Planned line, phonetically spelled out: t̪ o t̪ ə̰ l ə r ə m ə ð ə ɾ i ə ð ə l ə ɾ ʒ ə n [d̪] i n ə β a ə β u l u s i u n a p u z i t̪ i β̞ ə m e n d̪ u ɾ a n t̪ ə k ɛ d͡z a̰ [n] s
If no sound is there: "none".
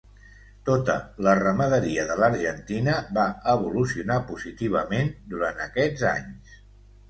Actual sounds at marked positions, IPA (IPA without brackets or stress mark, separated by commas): t̪, ɲ